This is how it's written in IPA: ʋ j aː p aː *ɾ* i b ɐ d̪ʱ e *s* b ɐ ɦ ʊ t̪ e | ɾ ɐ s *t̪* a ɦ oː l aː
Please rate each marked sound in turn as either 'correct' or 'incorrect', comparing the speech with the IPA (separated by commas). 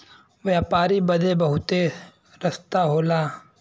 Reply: correct, incorrect, correct